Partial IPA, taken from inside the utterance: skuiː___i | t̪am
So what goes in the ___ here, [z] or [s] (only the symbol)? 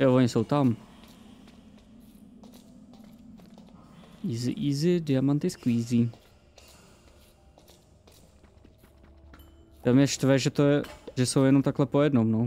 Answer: z